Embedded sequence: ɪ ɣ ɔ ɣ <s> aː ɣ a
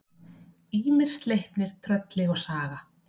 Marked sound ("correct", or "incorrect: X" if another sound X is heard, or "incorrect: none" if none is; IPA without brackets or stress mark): correct